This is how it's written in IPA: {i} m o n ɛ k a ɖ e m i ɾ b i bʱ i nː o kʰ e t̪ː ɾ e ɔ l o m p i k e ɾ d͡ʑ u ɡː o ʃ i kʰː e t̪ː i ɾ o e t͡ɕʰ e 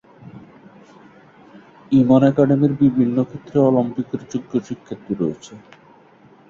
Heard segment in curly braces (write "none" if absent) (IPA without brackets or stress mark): i